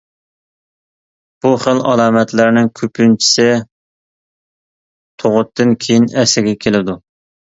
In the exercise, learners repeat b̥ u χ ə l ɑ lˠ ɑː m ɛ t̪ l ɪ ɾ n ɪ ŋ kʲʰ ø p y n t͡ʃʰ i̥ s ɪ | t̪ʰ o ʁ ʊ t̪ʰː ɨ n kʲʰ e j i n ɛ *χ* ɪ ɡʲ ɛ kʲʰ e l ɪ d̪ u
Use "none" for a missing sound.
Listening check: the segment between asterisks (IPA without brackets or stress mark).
s